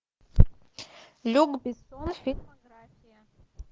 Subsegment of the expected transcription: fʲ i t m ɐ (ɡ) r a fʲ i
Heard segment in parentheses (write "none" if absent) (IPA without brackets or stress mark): ɡ